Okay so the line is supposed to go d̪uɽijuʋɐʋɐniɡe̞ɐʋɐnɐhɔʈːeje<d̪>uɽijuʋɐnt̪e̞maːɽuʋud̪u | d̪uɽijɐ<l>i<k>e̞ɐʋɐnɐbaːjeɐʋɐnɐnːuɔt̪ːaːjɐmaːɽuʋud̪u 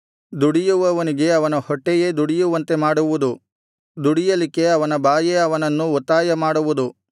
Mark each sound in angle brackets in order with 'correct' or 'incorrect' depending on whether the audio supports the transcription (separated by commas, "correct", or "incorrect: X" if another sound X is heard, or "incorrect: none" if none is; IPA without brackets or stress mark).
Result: correct, correct, correct